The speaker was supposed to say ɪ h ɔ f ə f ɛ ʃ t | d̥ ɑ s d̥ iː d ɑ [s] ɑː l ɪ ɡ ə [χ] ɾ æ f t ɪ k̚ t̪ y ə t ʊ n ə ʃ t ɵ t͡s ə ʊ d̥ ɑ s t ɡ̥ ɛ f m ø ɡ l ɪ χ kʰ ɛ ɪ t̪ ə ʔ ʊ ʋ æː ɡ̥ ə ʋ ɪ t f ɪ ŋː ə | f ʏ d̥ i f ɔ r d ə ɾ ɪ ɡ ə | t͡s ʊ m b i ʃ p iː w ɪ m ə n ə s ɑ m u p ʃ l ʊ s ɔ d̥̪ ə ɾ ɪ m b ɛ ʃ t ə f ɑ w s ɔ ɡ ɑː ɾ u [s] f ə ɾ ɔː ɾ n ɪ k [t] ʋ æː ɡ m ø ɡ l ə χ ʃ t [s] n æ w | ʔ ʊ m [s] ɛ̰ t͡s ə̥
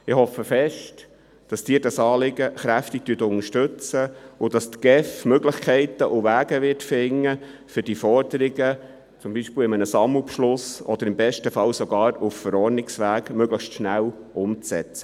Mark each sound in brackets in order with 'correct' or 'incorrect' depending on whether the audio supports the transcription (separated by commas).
correct, correct, incorrect, incorrect, incorrect, incorrect